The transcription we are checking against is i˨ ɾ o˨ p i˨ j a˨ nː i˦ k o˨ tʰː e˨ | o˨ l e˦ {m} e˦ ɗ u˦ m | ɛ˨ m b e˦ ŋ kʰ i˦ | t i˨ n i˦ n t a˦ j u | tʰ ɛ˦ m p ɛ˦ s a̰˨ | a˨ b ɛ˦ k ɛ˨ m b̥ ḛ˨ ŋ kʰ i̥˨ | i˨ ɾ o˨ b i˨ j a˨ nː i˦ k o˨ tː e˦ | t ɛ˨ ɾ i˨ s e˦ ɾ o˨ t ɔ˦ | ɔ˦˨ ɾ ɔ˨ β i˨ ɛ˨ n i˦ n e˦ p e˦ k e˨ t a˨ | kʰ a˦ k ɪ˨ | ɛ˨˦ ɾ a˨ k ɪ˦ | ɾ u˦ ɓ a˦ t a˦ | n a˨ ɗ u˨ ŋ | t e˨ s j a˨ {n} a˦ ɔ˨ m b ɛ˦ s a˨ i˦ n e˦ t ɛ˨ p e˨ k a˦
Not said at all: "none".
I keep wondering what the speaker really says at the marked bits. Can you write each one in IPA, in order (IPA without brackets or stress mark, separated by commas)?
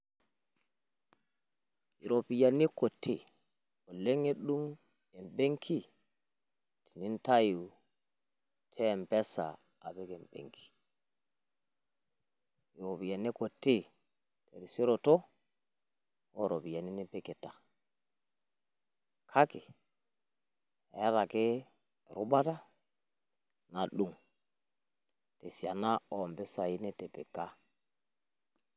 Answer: ŋ, n